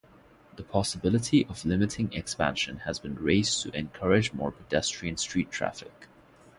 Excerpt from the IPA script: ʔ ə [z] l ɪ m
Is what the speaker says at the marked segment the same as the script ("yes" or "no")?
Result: no